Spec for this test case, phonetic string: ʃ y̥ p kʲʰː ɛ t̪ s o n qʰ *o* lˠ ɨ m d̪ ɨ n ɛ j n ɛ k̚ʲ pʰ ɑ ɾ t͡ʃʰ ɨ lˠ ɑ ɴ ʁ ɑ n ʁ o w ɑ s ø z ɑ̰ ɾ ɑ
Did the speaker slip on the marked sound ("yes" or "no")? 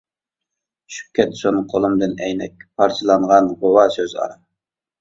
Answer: no